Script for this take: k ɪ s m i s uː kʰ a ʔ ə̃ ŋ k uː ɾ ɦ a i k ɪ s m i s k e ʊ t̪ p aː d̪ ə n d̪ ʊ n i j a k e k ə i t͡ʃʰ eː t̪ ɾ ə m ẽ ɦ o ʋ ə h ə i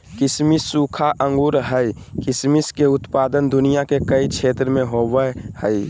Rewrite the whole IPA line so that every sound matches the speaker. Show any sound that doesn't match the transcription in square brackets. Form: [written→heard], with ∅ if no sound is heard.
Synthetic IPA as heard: k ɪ s m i s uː kʰ a ʔ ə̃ ŋ [k→ɡ] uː ɾ ɦ [a→ə] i k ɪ s m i s k e ʊ t̪ p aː d̪ ə n d̪ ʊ n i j a k e k ə i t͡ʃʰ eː t̪ ɾ ə m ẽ ɦ o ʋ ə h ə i